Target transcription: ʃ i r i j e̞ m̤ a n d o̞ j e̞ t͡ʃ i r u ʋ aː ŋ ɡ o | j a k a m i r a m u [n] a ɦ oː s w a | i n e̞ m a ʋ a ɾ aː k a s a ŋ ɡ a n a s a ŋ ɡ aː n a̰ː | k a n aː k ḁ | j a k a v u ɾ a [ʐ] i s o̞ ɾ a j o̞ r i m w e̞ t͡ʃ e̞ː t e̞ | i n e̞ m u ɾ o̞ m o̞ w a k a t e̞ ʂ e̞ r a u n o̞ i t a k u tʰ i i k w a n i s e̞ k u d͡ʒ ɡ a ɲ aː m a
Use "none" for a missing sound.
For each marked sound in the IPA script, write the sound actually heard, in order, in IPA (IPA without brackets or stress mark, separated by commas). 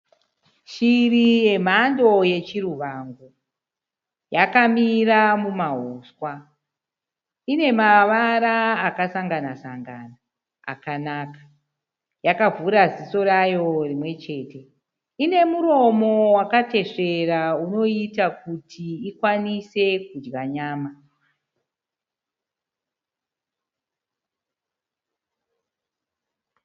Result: m, z